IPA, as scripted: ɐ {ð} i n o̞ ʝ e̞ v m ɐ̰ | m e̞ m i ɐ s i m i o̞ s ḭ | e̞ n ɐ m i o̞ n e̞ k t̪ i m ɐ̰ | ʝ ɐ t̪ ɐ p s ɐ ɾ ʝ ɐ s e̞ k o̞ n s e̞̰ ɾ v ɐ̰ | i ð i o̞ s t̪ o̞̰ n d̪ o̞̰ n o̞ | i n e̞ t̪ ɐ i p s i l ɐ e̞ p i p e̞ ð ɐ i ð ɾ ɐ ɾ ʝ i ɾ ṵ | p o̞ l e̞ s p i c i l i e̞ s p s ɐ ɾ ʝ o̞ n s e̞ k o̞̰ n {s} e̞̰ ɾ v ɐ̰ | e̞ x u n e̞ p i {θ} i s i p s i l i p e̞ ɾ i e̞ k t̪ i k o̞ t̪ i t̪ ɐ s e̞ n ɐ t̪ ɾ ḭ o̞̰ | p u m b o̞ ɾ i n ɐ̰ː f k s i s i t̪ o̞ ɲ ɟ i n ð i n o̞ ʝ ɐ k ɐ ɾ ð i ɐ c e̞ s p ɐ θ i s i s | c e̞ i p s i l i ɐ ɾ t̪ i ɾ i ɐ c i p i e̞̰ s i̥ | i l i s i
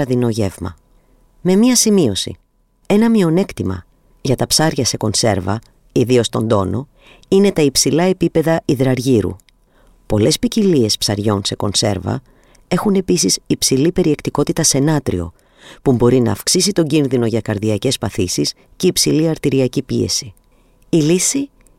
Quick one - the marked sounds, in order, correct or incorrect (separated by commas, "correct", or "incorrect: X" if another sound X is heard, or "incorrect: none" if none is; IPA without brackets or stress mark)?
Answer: correct, correct, incorrect: s